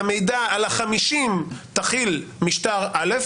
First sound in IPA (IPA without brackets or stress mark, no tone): m